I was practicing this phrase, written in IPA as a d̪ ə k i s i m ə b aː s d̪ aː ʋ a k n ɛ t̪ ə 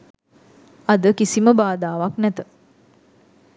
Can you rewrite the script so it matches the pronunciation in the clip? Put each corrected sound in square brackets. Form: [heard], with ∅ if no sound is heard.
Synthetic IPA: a d̪ ə k i s i m ə b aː [∅] d̪ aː ʋ a k n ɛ t̪ ə